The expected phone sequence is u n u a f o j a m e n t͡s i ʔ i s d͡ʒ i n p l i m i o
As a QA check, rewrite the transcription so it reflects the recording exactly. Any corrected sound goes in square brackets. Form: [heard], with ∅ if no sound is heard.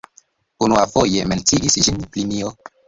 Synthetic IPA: u n u a f o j [e] m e n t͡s i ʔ i s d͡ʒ i n p l i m i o